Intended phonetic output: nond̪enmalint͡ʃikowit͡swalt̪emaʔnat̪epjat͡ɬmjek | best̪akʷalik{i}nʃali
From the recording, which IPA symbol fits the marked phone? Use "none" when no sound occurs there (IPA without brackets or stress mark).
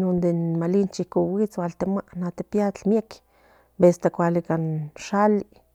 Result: a